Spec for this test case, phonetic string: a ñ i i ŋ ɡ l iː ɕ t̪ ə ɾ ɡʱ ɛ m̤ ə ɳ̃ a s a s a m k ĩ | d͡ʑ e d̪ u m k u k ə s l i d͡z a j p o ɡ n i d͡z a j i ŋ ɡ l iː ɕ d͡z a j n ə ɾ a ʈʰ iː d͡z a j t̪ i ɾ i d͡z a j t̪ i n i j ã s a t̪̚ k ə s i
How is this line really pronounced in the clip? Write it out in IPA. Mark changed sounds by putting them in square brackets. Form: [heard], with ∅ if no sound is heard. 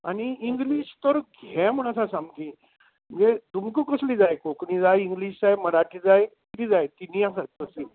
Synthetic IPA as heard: a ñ i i ŋ ɡ l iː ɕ t̪ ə ɾ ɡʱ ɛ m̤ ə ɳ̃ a s a s a m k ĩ | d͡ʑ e d̪ u m k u k ə s l i d͡z a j [k] o [k] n i d͡z a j i ŋ ɡ l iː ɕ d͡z a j [m] ə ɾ a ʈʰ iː d͡z a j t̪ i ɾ i d͡z a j t̪ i n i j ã s a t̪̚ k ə s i